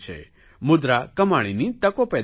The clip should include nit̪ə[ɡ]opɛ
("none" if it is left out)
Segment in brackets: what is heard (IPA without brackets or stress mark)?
k